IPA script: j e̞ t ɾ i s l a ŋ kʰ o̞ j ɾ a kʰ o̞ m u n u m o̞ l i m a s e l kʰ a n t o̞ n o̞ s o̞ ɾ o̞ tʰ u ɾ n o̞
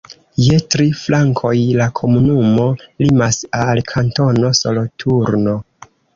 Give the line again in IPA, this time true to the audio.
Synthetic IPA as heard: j e̞ t ɾ i f l a ŋ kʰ o̞ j l a kʰ o̞ m u n u m o̞ l i m a s a l kʰ a n t o̞ n o̞ s o̞ l o̞ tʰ u ɾ n o̞